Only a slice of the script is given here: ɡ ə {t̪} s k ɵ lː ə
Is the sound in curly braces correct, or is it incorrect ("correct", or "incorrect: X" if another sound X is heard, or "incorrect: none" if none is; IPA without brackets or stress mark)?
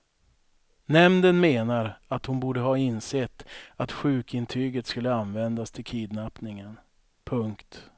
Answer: correct